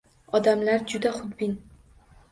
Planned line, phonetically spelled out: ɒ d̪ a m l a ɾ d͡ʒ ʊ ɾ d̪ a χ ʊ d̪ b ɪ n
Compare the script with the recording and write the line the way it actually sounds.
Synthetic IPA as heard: ɒ d̪ a m l a ɾ d͡ʒ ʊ d̪ a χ ʊ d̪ b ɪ n